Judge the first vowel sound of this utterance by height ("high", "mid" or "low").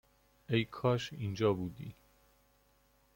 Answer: mid